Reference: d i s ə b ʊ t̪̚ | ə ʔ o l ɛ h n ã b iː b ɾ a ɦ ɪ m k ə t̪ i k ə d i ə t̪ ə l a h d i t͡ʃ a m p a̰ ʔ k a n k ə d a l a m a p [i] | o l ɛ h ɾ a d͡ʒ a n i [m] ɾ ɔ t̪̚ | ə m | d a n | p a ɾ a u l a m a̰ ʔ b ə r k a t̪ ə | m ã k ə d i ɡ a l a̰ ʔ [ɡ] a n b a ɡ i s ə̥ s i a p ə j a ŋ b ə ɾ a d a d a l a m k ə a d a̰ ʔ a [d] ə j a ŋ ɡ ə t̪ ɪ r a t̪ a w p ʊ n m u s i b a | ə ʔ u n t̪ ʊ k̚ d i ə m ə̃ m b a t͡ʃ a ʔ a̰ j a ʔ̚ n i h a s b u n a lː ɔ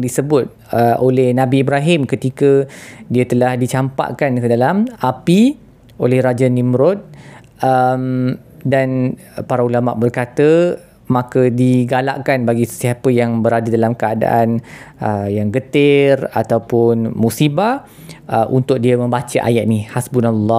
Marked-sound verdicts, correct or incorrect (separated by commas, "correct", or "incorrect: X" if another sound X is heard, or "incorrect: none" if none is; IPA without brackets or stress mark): correct, correct, incorrect: k, incorrect: n